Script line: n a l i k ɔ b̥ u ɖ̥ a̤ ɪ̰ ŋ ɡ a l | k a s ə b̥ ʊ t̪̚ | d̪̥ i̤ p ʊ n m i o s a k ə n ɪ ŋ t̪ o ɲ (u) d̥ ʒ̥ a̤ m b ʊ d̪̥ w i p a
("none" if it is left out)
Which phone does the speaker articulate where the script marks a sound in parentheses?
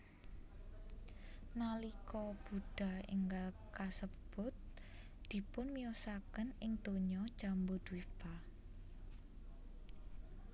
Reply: ɔ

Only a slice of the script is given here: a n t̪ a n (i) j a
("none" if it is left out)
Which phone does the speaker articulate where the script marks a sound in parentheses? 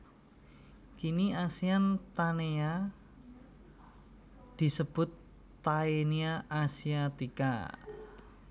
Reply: e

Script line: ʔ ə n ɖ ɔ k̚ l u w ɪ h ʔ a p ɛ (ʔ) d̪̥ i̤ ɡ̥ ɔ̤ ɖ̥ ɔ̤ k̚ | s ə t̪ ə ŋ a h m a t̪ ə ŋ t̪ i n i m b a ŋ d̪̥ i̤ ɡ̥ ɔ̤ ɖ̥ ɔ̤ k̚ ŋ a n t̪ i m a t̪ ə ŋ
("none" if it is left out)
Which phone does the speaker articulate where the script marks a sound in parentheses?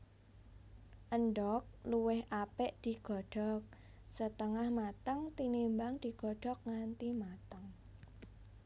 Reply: ʔ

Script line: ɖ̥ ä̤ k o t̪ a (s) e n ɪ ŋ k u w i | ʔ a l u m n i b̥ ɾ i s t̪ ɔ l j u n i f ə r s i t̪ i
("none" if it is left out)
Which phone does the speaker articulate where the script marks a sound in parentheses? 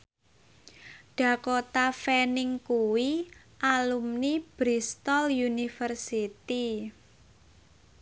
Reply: f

